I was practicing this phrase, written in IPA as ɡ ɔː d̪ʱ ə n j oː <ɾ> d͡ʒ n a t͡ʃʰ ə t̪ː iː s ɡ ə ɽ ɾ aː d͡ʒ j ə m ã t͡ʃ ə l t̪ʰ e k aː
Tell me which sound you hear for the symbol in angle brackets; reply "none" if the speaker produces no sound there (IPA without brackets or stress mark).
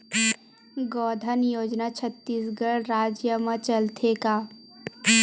none